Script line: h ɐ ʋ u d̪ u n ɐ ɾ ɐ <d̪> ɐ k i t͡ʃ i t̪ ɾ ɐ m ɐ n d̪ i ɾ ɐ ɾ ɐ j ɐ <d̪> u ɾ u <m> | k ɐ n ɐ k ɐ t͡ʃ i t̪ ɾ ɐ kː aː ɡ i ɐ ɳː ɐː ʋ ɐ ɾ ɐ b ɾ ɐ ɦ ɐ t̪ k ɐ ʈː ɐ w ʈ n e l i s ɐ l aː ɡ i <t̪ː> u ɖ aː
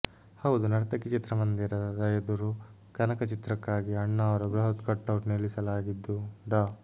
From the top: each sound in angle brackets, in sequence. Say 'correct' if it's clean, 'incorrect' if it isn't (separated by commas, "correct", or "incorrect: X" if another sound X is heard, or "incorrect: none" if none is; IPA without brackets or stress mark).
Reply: incorrect: t̪, correct, incorrect: none, incorrect: d̪ː